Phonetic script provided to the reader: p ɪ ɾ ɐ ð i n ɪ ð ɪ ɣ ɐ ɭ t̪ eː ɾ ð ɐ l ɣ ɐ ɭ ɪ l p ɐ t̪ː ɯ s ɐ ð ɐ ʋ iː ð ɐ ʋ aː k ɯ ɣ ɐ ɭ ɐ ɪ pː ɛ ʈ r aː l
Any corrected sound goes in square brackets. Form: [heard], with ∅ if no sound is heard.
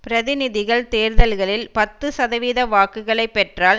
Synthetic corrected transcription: p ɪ ɾ ɐ ð [ɪ] n ɪ ð ɪ ɣ ɐ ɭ t̪ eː ɾ ð ɐ l ɣ ɐ ɭ ɪ l p ɐ t̪ː ɯ s ɐ ð ɐ ʋ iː ð ɐ ʋ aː k ɯ ɣ ɐ ɭ ɐ ɪ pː ɛ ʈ r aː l